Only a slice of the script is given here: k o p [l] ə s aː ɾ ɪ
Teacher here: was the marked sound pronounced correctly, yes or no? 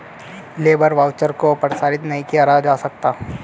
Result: no